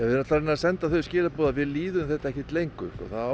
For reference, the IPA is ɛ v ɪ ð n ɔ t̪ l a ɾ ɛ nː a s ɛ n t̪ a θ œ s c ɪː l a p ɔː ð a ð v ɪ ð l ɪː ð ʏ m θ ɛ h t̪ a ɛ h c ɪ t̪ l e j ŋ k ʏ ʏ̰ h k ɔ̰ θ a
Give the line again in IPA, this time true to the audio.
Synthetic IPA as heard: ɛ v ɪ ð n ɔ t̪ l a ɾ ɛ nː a s ɛ n t̪ a θ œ s c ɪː l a p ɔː ð a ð v ɪ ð l iː ð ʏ m θ ɛ h t̪ a ɛ h c ɪ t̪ l e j ŋ k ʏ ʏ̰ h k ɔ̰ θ a